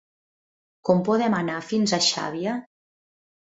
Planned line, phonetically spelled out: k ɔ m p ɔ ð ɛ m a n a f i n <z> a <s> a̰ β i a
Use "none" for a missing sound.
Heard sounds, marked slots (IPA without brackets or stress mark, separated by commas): z, ʃ